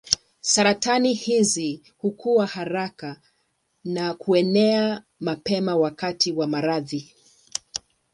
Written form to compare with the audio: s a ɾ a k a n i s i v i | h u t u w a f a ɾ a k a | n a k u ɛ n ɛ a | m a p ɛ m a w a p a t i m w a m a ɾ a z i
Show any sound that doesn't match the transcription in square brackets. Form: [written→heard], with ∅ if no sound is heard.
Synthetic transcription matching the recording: s a ɾ a [k→t] a n i [s→h] i [v→z] i | h u [t→k] u w a [f→h] a ɾ a k a | n a k u ɛ n ɛ a | m a p ɛ m a w a [p→k] a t i [m→∅] w a m a ɾ a [z→ð] i